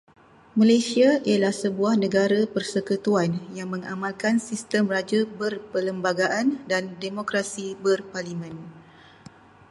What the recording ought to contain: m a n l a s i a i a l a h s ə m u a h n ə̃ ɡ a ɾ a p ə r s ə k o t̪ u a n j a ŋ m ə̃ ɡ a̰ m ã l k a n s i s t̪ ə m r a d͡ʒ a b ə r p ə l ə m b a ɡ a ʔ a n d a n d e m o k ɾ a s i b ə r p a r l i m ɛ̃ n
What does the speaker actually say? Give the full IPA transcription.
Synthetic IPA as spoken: m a l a s i a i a l a h s ə b u a h n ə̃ ɡ a ɾ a p ə r s ə k u t̪ u a n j a ŋ m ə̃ ŋ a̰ m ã l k a n s i s t̪ ə m r a d͡ʒ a b ə r p ə l ə m b a ɡ a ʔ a n d a n d e m o k ɾ a s i b ə r p a r l i m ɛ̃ n